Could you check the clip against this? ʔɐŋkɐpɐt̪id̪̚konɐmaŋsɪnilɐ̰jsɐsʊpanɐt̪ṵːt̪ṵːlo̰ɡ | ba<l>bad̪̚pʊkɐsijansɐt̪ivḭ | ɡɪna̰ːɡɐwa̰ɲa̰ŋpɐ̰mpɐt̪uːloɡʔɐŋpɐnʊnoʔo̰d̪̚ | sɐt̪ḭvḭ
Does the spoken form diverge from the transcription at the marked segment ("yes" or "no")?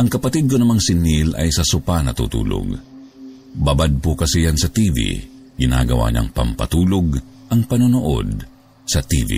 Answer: yes